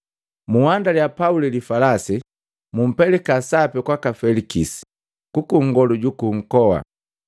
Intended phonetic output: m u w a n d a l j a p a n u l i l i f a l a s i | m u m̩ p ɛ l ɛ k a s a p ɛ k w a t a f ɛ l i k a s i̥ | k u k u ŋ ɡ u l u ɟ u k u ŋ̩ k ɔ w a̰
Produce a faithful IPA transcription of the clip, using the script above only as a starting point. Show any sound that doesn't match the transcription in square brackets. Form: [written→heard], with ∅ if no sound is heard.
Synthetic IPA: m u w a n d a l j a p a [n→∅] u l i l i f a l a s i | m u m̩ p ɛ l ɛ k a s a p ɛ k w a [t→k] a f ɛ l i k [a→i] s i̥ | k u k u ŋ ɡ [u→ɔ] l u ɟ u k u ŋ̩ k ɔ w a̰